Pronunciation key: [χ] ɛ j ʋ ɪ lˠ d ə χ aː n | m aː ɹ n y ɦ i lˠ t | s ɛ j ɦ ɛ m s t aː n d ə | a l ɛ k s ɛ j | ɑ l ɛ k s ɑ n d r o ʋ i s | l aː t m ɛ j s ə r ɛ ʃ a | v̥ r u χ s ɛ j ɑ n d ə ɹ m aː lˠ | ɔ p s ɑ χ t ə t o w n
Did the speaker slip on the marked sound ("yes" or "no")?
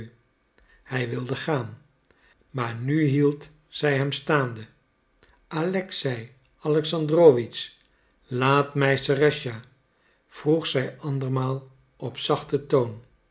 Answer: yes